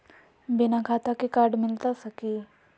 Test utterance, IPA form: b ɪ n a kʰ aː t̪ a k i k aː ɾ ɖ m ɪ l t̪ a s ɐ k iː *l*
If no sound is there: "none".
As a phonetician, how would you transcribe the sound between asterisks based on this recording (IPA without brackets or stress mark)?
none